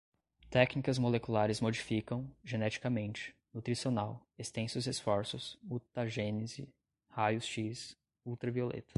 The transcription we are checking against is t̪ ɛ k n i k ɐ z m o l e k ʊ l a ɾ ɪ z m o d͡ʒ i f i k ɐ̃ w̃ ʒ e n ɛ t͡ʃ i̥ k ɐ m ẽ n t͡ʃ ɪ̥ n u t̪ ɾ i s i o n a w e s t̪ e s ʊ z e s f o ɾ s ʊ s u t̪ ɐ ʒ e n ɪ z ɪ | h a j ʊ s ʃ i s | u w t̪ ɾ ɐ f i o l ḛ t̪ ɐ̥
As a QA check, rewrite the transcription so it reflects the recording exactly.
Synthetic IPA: t̪ ɛ k n i k ɐ z m o l e k u l a ɾ ɪ z m o d͡ʒ i f i k ɐ̃ w̃ ʒ e n ɛ t͡ʃ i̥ k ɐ m ẽ n t͡ʃ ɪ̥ n u t̪ ɾ i s i o n a w e s t̪ ẽ s ʊ z e s f ɔ ɾ s ʊ s u t̪ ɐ ʒ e n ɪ z ɪ | h a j ʊ s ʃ i s | u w t̪ ɾ ɐ v i o l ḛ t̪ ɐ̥